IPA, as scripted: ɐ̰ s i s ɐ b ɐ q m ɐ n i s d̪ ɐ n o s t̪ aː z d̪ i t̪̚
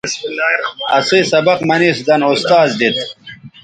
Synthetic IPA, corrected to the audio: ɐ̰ s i s ɐ b ɐ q m ɐ n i s d̪ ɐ n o s t̪ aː z d̪ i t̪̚